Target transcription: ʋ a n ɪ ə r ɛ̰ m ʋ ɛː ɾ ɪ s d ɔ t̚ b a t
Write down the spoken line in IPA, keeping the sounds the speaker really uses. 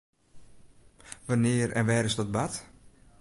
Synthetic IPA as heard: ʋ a n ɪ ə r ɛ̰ n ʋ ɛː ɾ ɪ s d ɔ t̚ b a t